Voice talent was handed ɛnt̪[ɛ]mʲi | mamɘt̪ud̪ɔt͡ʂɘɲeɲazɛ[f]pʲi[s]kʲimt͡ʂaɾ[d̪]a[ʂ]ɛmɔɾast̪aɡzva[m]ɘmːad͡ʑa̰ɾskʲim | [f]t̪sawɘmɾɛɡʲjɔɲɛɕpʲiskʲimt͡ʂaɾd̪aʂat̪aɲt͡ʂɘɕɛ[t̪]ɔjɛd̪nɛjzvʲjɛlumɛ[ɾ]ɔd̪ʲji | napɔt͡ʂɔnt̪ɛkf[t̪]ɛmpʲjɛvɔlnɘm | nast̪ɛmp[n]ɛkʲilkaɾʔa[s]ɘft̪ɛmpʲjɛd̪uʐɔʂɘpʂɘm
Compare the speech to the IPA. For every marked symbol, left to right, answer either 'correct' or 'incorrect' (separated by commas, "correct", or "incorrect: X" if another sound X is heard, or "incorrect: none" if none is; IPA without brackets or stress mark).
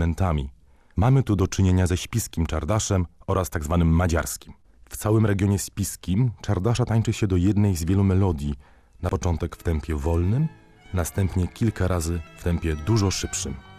incorrect: a, incorrect: ɕ, correct, correct, correct, incorrect: n, correct, incorrect: d̪, incorrect: l, correct, incorrect: ɲ, incorrect: z